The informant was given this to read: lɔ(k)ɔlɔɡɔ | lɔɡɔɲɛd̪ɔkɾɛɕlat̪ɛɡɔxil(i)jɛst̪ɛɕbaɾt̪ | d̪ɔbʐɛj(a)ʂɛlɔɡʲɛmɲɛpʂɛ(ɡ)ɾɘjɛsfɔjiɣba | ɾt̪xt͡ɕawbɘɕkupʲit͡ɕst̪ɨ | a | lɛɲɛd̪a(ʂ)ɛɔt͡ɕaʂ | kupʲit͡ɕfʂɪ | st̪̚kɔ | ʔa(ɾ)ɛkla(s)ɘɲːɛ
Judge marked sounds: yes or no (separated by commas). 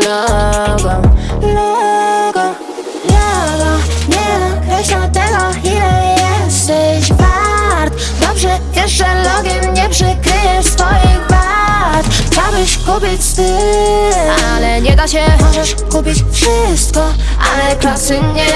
no, no, no, no, no, no, yes